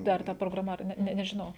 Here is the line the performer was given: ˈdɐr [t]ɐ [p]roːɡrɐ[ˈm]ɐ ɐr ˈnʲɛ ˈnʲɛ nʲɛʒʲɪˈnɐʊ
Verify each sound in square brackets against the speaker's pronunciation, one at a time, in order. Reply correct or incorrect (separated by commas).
correct, correct, correct